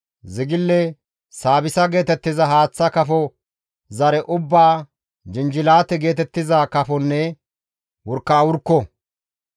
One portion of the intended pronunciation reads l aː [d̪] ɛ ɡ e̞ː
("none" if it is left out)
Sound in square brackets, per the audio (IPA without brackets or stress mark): t̪